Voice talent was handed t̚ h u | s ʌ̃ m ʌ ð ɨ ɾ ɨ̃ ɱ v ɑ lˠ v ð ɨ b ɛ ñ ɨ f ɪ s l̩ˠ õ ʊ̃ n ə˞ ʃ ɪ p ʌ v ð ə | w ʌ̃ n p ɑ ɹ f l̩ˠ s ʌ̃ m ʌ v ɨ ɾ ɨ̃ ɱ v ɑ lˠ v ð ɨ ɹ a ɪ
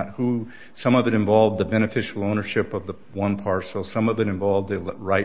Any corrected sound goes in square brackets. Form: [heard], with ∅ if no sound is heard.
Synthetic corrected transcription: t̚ h u | s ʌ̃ m ʌ [v] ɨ ɾ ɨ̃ ɱ v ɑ lˠ v ð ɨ b ɛ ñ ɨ f ɪ [ʃ] l̩ˠ õ ʊ̃ n ə˞ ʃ ɪ p ʌ v ð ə | w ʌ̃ n [pʰ] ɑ ɹ [s] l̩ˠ s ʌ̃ m ʌ v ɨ ɾ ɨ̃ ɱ v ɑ lˠ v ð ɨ ɹ a ɪ